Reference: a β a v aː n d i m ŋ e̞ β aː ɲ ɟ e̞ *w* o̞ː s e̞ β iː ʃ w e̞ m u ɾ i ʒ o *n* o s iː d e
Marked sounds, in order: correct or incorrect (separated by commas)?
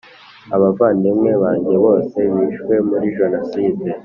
incorrect, correct